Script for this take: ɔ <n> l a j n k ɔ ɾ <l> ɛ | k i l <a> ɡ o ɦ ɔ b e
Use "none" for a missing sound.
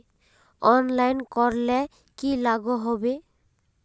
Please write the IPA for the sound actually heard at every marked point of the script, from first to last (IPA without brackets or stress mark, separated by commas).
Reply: n, l, a